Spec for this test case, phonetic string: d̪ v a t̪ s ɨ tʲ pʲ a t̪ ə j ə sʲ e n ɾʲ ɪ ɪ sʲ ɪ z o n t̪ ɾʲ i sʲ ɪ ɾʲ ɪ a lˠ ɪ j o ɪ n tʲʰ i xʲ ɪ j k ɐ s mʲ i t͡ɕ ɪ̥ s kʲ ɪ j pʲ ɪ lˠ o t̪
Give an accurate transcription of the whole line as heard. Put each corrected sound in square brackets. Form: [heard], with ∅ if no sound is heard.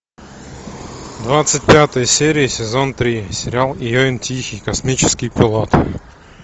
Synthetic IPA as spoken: d̪ v a t̪ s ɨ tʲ pʲ a t̪ ə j ə sʲ e [∅] ɾʲ ɪ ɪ sʲ ɪ z o n t̪ ɾʲ i sʲ ɪ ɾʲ ɪ a lˠ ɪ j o ɪ n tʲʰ i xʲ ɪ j k ɐ s mʲ i t͡ɕ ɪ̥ s kʲ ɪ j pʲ ɪ lˠ o t̪